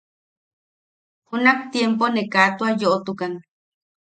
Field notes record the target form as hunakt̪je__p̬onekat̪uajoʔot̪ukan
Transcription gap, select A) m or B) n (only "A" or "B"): A